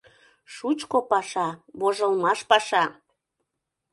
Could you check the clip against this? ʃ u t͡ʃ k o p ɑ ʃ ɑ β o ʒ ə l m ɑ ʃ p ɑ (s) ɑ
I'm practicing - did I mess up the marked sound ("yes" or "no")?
yes